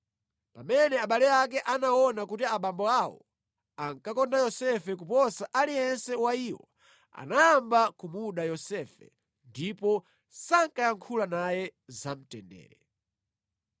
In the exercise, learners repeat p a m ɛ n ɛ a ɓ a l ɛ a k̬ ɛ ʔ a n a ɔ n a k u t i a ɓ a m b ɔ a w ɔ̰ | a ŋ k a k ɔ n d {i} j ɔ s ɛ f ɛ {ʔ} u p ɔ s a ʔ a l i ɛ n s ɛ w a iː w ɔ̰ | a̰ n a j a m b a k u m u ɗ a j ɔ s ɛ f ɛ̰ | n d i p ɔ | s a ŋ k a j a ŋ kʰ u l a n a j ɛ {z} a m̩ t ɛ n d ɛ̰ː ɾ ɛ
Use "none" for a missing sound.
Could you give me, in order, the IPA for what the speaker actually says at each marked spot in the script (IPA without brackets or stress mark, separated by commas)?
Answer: a, k, z